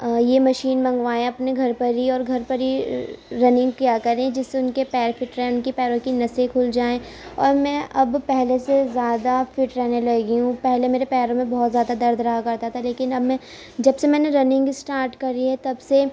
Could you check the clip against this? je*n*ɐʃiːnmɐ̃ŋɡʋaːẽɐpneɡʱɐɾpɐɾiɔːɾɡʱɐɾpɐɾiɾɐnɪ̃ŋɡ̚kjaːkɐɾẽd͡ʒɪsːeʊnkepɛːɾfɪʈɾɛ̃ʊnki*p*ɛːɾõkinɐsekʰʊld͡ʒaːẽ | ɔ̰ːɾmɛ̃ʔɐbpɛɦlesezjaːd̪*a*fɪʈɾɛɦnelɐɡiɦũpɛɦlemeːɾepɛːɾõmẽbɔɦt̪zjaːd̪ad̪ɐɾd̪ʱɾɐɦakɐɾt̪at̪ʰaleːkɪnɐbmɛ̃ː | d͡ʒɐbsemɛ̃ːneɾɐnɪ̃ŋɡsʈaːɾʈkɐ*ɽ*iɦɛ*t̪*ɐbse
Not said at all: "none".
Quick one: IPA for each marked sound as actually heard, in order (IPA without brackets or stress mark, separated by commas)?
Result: m, p, a, ɾ, t̪